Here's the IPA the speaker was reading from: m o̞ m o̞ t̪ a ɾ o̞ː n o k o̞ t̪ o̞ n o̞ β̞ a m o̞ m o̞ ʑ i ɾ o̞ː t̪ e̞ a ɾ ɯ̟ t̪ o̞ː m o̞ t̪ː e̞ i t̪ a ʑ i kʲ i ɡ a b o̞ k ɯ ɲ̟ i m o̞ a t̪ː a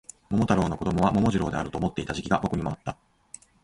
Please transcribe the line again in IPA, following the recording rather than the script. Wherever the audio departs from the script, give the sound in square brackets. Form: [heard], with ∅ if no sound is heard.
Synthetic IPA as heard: m o̞ m o̞ t̪ a ɾ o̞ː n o k o̞ [d̪] o̞ [m] o̞ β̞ a m o̞ m o̞ ʑ i ɾ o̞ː [d̪] e̞ a ɾ ɯ̟ t̪ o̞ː m o̞ t̪ː e̞ i t̪ a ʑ i kʲ i ɡ a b o̞ k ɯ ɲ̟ i m o̞ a t̪ː a

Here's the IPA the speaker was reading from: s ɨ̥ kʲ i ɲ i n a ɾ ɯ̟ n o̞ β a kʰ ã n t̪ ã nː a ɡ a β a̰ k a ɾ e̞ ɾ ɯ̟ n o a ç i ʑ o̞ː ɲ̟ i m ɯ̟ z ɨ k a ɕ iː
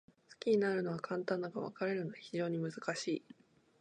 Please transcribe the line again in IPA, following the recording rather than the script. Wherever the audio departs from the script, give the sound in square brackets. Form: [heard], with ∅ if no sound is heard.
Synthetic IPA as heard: s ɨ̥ kʲ i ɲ i n a ɾ ɯ̟ n o̞ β a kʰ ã n t̪ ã nː a ɡ a β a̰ k a ɾ e̞ ɾ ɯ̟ n o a ç i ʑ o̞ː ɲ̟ i m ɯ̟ z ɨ k a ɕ iː

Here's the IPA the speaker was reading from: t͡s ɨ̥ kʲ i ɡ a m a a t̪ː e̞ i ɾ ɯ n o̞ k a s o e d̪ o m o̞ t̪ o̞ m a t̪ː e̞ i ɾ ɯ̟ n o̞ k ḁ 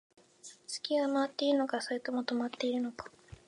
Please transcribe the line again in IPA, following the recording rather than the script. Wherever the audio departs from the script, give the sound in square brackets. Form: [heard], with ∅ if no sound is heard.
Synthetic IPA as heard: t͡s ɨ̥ kʲ i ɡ a m a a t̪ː e̞ i ɾ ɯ n o̞ k a s o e [t̪] o m o̞ t̪ o̞ m a t̪ː e̞ i ɾ ɯ̟ n o̞ k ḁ

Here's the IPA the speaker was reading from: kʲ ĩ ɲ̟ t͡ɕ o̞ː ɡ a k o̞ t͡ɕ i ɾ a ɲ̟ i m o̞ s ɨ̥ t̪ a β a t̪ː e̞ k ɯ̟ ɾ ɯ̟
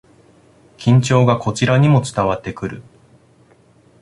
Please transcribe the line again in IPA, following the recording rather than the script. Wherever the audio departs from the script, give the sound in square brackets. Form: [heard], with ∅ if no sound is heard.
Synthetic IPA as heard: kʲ ĩ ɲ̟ t͡ɕ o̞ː ɡ a k o̞ t͡ɕ i ɾ a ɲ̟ i m o̞ [t͡s] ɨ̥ t̪ a β a t̪ː e̞ k ɯ̟ ɾ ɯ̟

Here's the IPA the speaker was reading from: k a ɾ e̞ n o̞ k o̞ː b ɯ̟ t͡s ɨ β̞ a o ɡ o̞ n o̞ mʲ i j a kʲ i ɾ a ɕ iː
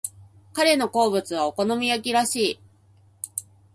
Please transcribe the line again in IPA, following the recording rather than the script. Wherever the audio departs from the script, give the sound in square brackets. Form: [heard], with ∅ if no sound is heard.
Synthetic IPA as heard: k a ɾ e̞ n o̞ k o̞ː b ɯ̟ t͡s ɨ β̞ a o [k] o̞ n o̞ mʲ i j a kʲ i ɾ a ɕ iː

